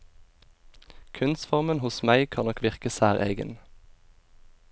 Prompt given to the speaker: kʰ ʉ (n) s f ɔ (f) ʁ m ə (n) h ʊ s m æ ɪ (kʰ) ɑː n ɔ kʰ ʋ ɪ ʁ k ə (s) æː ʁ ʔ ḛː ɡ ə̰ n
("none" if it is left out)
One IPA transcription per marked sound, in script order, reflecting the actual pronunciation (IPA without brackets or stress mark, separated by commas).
n, none, n, kʰ, s